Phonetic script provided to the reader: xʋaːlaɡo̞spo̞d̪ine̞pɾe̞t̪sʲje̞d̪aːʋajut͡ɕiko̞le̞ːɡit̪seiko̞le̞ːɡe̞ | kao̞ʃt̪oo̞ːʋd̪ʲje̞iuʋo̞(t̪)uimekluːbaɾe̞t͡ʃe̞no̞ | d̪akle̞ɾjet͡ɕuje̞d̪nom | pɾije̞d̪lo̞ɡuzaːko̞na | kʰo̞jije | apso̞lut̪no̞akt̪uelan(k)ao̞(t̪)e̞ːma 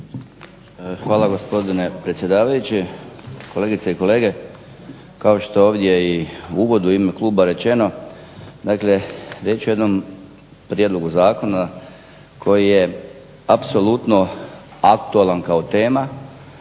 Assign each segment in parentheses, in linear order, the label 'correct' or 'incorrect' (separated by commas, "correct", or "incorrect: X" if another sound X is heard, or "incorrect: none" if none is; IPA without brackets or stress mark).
incorrect: d̪, correct, correct